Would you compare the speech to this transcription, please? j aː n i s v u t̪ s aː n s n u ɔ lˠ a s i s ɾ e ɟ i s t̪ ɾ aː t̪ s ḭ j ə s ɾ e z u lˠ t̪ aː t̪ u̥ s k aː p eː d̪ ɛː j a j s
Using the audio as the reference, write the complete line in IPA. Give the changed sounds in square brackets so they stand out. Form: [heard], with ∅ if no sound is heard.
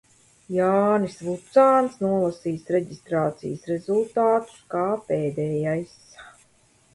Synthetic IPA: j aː n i s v u t̪ s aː n s n u ɔ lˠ a s [iː] s ɾ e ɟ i s t̪ ɾ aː t̪ s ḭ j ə s ɾ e z u lˠ t̪ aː t̪ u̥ s k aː p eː d̪ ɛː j a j s